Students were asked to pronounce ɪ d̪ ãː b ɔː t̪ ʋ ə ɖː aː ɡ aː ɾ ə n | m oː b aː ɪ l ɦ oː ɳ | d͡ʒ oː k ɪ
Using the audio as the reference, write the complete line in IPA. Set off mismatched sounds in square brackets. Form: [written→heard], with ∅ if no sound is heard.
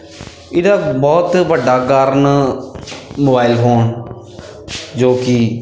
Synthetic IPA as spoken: ɪ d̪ [ãː→aː] b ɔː t̪ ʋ ə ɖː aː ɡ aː ɾ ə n | m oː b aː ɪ l ɦ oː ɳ | d͡ʒ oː k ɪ